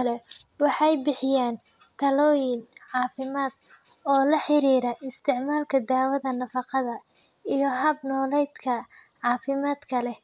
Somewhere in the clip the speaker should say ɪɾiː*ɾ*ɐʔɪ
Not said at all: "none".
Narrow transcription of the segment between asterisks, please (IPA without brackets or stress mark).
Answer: ɾ